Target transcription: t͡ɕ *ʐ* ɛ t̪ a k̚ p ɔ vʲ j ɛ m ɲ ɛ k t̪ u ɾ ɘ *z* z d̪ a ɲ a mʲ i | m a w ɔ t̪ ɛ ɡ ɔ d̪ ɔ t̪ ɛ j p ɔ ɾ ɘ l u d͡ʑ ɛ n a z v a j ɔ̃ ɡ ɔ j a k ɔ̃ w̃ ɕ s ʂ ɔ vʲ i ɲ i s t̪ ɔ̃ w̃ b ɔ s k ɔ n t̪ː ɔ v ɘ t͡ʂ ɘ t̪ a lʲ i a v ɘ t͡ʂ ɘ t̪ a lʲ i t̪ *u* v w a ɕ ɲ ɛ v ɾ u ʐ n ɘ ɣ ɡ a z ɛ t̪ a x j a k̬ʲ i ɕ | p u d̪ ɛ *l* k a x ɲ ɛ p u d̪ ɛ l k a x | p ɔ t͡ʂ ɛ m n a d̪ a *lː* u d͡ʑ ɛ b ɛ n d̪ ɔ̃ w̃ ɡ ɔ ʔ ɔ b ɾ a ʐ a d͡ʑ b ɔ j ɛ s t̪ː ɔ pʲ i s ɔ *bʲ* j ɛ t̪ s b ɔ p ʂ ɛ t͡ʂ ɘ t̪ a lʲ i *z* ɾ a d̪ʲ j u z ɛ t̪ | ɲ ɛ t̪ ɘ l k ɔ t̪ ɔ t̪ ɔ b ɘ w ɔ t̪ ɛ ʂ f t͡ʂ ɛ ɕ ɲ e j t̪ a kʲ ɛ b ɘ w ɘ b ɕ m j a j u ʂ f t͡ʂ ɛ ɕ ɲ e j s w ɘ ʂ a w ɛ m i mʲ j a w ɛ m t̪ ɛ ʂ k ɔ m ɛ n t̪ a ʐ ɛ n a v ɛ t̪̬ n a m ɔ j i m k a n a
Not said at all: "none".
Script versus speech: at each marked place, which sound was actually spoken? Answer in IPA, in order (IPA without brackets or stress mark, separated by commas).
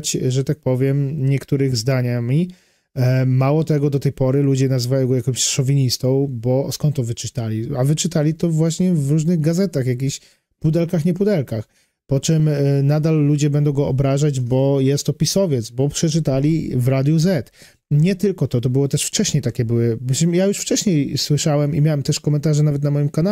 ʐ, ɣ, ɔ, l, lː, vʲ, v